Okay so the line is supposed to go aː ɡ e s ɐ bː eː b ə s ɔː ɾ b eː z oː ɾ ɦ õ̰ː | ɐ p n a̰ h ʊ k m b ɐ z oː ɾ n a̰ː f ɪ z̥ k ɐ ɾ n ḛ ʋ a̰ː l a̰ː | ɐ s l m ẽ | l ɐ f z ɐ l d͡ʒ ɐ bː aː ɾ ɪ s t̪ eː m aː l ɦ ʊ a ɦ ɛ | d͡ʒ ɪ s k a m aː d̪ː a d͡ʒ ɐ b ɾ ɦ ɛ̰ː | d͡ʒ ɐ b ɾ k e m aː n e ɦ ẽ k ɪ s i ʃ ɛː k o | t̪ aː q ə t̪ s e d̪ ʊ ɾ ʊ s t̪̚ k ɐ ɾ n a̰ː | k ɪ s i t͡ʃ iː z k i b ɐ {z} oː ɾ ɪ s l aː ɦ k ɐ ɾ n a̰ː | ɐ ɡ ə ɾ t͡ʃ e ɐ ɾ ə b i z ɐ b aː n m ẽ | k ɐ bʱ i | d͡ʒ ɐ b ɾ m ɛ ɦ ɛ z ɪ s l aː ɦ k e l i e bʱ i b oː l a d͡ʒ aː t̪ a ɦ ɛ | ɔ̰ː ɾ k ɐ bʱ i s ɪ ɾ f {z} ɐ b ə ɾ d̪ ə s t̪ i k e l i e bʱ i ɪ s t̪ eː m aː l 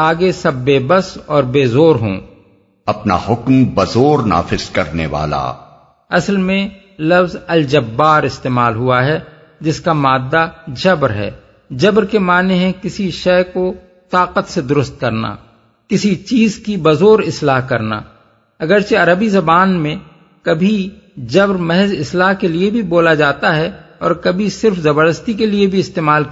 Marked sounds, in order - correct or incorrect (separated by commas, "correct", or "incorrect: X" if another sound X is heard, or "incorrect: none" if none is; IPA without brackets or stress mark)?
correct, correct